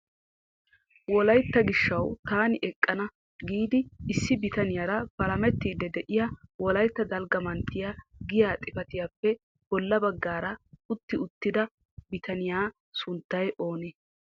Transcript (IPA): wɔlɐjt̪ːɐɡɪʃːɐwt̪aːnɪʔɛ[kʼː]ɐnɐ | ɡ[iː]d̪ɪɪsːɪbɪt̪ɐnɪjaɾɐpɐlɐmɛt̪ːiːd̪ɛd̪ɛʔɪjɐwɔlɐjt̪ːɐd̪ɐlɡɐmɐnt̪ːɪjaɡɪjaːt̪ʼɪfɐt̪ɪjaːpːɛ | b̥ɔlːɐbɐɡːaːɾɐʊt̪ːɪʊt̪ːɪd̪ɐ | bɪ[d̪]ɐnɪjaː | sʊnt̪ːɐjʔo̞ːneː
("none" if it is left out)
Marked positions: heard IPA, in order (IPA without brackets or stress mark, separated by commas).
kʼː, iː, t̪